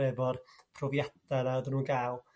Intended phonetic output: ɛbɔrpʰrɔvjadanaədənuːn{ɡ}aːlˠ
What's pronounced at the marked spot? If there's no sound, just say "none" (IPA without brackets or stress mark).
ɡ